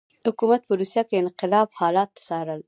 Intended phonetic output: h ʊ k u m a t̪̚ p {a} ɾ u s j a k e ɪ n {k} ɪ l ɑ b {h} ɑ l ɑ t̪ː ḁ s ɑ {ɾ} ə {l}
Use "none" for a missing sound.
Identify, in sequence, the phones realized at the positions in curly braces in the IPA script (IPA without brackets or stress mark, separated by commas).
ə, q, h, ɾ, l